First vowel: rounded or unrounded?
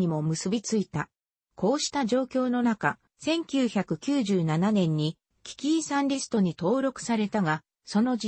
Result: unrounded